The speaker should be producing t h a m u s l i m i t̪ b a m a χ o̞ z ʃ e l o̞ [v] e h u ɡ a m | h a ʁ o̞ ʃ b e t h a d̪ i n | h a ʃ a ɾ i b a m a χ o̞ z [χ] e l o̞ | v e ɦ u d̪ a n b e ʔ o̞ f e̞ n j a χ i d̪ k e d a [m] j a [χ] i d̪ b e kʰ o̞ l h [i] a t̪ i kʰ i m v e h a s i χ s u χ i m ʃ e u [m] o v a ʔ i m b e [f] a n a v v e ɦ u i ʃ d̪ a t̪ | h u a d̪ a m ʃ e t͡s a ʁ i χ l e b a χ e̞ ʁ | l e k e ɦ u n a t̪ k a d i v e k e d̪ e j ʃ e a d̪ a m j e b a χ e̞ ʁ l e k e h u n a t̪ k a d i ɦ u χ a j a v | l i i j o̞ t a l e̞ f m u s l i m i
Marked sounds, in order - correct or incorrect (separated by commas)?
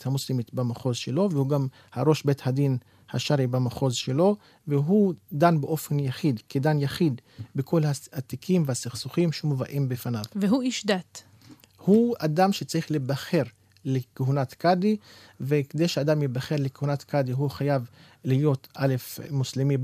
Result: correct, incorrect, incorrect, correct, incorrect, correct, correct